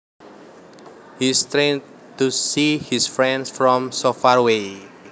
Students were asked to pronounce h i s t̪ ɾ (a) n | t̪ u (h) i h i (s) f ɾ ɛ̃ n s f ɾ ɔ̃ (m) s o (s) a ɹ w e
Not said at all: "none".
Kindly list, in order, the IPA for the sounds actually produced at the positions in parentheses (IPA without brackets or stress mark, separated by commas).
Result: e, s, s, m, f